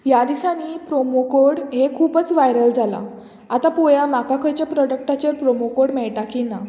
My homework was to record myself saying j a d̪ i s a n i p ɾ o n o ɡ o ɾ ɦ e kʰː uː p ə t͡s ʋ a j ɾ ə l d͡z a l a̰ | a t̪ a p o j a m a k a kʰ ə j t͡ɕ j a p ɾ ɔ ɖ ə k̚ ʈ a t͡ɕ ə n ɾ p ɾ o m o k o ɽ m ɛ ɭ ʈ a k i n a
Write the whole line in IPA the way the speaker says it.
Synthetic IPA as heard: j a d̪ i s a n i p ɾ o m o k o ɽ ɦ e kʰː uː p ə t͡s ʋ a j ɾ ə l d͡z a l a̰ | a t̪ a p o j a m a k a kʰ ə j t͡ɕ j a p ɾ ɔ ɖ ə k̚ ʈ a t͡ɕ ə ɾ p ɾ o m o k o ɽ m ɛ ɭ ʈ a k i n a

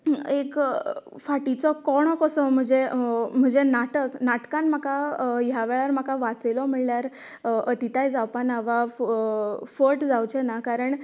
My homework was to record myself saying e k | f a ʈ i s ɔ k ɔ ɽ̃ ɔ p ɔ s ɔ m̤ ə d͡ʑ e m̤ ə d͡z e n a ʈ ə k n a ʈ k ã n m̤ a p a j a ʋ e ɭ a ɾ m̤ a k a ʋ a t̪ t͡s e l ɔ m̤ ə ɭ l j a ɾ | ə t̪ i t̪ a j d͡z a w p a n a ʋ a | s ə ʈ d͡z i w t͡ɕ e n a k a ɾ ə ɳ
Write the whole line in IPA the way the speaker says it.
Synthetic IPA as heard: e k | f a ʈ i t͡s ɔ k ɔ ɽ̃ ɔ k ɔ s ɔ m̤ ə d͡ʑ e m̤ ə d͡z e n a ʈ ə k n a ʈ k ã n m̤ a k a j a ʋ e ɭ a ɾ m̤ a k a ʋ a t͡s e l ɔ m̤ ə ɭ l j a ɾ | ə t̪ i t̪ a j d͡z a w p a n a ʋ a | f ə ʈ d͡z a w t͡ɕ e n a k a ɾ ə ɳ

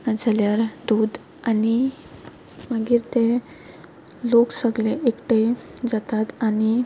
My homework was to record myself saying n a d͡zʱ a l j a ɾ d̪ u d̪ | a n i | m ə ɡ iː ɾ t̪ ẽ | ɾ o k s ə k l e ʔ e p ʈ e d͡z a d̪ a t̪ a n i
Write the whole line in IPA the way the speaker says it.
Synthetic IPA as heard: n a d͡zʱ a l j a ɾ d̪ u d̪ | a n i | m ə ɡ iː ɾ t̪ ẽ | l o k s ə ɡ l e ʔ e k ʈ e d͡z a t̪ a t̪ a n i

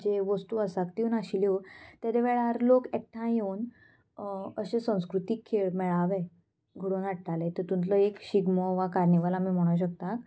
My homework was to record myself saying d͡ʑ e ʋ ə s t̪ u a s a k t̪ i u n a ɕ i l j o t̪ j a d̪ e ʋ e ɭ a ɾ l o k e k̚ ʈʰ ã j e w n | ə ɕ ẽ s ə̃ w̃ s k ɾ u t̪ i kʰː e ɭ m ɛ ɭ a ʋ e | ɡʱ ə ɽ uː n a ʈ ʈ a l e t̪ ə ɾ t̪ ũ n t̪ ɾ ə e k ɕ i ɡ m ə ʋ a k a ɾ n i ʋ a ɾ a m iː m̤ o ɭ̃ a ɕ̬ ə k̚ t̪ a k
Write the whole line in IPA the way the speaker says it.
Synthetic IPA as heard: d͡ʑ e ʋ ə s t̪ u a s a k t̪ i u n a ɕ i l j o t̪ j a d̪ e ʋ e ɭ a ɾ l o k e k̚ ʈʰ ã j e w n | ə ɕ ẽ s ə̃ w̃ s k ɾ u t̪ i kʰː e ɭ m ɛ ɭ a ʋ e | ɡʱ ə ɽ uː n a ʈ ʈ a l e t̪ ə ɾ t̪ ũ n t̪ l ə e k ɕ i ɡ m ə ʋ a k a ɾ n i ʋ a l a m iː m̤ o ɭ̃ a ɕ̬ ə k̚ t̪ a k

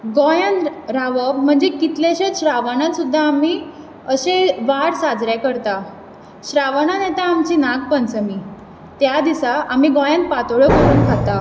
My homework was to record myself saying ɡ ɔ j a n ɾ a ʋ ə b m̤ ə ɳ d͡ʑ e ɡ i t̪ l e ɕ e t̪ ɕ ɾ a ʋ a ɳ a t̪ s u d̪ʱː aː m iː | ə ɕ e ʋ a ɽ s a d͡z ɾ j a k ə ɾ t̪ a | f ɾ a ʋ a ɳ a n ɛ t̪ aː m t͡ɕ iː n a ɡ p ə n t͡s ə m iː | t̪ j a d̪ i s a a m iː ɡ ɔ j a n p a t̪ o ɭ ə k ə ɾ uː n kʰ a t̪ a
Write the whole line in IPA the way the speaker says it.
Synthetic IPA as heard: ɡ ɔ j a n ɾ a ʋ ə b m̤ ə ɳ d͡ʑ e k i t̪ l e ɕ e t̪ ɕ ɾ a ʋ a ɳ a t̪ s u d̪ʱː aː m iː | ə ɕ e ʋ a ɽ s a d͡z ɾ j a k ə ɾ t̪ a | ɕ ɾ a ʋ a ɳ a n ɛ t̪ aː m t͡ɕ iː n a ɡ p ə n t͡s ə m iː | t̪ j a d̪ i s a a m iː ɡ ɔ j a n p a t̪ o ɭ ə k ə ɾ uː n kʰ a t̪ a

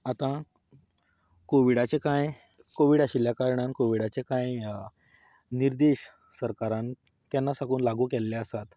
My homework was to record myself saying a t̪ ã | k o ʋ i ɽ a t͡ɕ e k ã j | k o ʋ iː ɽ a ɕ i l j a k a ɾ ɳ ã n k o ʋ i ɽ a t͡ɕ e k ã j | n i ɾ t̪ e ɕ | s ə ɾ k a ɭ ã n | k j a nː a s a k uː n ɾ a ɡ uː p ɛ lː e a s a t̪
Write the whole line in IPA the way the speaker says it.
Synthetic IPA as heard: a t̪ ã | k o ʋ i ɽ a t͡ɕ e k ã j | k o ʋ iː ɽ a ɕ i l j a k a ɾ ɳ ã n k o ʋ i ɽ a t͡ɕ e k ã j | n i ɾ d̪ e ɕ | s ə ɾ k a ɾ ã n | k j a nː a s a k uː n l a ɡ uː k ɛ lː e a s a t̪

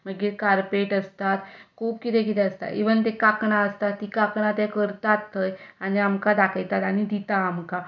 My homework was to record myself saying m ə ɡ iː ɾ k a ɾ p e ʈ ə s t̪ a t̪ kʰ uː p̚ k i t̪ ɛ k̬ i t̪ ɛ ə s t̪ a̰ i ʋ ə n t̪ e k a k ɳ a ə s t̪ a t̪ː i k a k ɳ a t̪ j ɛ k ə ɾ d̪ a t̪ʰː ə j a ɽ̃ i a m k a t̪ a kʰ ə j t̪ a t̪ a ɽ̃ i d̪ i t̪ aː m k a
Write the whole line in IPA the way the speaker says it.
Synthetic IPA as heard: m ə ɡ iː ɾ k a ɾ p e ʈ ə s t̪ a t̪ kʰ uː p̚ k i t̪ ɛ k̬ i t̪ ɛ ə s t̪ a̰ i ʋ ə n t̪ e k a k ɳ a ə s t̪ a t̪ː i k a k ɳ a t̪ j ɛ k ə ɾ t̪ a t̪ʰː ə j a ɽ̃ i a m k a d̪ a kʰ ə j t̪ a t̪ a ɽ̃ i d̪ i t̪ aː m k a

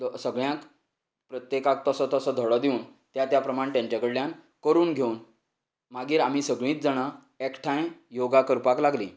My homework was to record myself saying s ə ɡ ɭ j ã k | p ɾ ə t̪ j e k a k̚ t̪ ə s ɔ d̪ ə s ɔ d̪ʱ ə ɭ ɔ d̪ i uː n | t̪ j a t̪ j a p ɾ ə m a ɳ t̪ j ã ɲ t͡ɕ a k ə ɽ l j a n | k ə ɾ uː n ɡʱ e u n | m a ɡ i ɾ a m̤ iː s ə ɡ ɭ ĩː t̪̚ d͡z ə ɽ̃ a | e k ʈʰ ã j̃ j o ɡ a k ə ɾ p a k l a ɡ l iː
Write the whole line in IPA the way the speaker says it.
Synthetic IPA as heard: s ə ɡ ɭ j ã k | p ɾ ə t̪ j e k a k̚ t̪ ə s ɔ t̪ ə s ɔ d̪ʱ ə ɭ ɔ d̪ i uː n | t̪ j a t̪ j a p ɾ ə m a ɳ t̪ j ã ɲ t͡ɕ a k ə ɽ l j a n | k ə ɾ uː n ɡʱ e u n | m a ɡ iː ɾ a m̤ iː s ə ɡ ɭ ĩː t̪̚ d͡z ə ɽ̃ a | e k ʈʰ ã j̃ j o ɡ a k ə ɾ p a k l a ɡ l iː

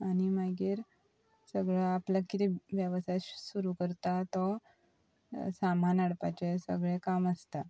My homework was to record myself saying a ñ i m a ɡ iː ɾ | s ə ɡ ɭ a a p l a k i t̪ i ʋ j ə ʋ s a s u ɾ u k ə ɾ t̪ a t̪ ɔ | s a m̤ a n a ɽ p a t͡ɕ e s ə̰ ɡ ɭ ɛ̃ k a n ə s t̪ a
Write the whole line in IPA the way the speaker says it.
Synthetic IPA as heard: a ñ i m a ɡ iː ɾ | s ə ɡ ɭ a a p l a k i t̪ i ʋ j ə ʋ s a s u ɾ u k ə ɾ t̪ a t̪ ɔ | s a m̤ a n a ɽ p a t͡ɕ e s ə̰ ɡ ɭ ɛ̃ k a m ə s t̪ a

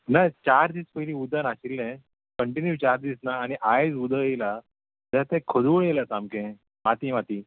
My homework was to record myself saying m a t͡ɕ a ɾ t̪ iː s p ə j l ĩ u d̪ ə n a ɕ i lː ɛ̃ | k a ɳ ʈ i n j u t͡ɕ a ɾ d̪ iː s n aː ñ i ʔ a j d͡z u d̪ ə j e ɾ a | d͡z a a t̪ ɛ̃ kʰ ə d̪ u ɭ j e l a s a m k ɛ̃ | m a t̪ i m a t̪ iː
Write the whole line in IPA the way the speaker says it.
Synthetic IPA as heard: n a t͡ɕ a ɾ d̪ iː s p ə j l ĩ u d̪ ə n a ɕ i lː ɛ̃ | k ə ɳ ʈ i n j u t͡ɕ a ɾ d̪ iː s n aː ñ i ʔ a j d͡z u d̪ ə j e l a | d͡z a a t̪ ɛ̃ kʰ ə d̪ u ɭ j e l a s a m k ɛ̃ | m a t̪ i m a t̪ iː

